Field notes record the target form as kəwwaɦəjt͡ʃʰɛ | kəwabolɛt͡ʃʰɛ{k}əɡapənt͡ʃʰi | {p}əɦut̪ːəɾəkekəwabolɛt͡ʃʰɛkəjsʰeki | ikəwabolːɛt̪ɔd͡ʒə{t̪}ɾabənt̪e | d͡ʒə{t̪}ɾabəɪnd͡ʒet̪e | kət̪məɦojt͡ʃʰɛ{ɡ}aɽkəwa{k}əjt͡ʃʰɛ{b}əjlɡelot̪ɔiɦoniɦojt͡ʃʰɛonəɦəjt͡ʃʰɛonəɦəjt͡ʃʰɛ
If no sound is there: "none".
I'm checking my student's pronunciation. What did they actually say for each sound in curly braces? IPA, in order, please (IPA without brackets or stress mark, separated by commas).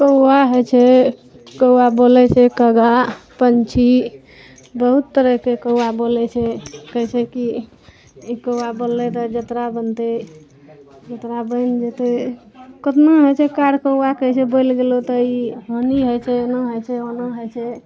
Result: k, b, t̪, t̪, k, k, b